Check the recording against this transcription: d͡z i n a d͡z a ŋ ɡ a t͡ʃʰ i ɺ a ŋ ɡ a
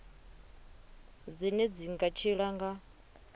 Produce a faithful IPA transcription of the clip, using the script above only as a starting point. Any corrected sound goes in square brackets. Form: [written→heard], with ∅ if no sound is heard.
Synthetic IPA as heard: d͡z i n [a→ɛ] d͡z [a→i] ŋ ɡ a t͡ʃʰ i ɺ a ŋ ɡ a